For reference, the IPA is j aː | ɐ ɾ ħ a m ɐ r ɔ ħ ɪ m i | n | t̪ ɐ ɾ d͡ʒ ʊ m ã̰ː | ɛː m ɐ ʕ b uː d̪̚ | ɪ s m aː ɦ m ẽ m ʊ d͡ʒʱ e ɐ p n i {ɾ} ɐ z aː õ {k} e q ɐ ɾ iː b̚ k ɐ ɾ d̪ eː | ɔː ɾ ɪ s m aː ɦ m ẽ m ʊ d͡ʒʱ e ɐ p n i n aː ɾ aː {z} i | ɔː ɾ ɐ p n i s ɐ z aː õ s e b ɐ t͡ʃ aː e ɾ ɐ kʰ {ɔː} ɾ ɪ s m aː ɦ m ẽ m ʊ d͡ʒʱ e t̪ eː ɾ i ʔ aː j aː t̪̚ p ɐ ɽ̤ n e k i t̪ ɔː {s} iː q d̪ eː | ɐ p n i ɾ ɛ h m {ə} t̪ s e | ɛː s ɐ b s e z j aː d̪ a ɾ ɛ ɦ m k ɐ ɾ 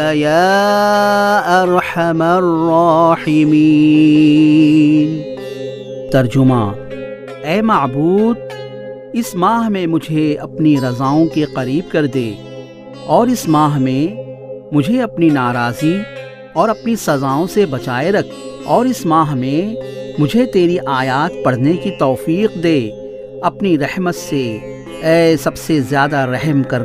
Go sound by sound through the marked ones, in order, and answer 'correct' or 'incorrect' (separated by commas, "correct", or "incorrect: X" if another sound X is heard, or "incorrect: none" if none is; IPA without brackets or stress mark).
correct, correct, correct, correct, incorrect: f, correct